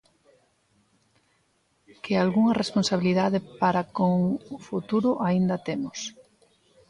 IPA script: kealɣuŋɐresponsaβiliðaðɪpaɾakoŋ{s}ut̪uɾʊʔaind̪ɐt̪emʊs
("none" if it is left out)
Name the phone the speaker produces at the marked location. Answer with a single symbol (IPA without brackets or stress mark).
f